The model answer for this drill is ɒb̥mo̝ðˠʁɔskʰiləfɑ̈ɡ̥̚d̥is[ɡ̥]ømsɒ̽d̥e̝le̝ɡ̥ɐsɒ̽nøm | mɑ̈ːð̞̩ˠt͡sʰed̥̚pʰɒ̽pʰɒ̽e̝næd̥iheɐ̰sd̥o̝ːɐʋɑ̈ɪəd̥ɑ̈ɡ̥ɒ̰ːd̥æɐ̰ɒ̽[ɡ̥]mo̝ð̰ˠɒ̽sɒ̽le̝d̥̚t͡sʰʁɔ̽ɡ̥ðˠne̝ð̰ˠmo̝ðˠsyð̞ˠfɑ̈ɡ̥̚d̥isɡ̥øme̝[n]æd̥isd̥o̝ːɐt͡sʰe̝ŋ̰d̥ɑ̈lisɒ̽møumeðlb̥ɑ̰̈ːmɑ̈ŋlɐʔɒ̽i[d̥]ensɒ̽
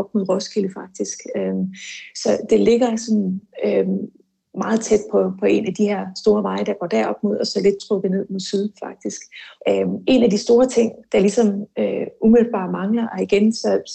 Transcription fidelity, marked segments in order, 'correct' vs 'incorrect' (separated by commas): correct, incorrect, correct, incorrect